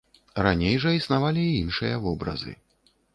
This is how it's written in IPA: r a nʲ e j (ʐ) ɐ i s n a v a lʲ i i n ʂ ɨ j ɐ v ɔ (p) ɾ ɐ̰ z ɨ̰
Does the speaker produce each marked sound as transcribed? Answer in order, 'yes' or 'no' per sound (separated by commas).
yes, no